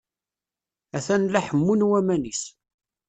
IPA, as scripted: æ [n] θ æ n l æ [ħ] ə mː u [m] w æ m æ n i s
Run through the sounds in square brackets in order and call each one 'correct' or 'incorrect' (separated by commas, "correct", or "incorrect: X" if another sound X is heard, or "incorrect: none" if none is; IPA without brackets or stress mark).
incorrect: none, correct, incorrect: n